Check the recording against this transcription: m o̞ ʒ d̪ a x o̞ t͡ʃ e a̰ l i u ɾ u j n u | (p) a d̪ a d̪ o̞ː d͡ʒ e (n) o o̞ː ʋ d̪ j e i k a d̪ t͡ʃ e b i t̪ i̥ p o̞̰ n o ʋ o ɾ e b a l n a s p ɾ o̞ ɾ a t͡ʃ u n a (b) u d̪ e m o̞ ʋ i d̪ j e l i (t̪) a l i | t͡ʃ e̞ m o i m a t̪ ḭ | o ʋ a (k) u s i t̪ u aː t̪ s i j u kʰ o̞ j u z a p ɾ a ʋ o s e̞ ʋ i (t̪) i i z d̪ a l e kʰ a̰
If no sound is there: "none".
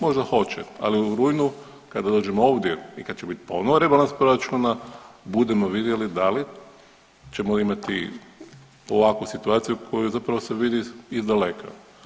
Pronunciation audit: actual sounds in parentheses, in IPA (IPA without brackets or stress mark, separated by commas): k, m, b, d̪, k, d̪